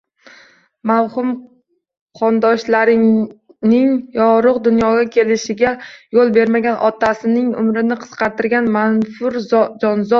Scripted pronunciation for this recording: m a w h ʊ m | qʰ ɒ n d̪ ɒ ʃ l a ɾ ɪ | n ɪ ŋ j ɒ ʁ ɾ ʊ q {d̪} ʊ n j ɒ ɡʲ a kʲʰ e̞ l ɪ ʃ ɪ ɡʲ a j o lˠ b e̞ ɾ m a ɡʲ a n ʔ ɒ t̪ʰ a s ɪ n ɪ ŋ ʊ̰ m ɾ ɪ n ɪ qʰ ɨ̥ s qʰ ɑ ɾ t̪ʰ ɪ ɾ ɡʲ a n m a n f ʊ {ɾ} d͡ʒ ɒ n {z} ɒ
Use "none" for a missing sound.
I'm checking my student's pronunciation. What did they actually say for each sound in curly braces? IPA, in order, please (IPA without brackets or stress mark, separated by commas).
d̪, ɾ, z